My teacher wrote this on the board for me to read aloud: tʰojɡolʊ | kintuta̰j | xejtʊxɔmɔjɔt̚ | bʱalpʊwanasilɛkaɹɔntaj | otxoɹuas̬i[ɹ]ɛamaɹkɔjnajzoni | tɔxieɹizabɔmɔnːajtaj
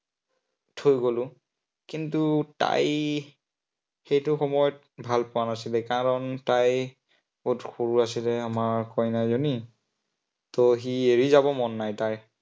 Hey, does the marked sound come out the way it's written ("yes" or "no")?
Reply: no